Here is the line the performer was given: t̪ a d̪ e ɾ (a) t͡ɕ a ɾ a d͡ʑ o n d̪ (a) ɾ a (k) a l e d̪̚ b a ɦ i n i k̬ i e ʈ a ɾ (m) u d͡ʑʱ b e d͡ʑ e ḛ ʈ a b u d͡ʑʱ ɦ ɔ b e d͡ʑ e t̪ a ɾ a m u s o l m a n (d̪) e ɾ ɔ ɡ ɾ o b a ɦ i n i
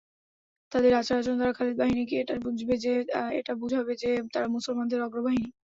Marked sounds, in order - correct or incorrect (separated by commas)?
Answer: correct, correct, incorrect, incorrect, correct